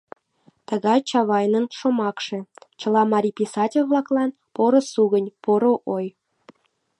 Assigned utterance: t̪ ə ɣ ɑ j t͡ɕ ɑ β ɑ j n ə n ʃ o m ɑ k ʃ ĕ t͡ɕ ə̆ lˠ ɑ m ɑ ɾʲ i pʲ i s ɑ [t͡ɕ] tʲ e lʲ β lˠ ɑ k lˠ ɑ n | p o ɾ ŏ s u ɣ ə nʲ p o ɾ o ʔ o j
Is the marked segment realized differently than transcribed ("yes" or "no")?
yes